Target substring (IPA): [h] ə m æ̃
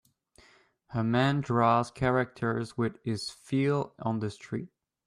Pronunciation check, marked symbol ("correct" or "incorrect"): correct